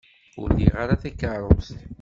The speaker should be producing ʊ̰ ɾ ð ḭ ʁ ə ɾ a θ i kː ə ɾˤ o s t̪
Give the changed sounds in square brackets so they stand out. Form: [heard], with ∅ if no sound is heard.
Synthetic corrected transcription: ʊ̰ ɾ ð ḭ ʁ [a] ɾ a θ [æ] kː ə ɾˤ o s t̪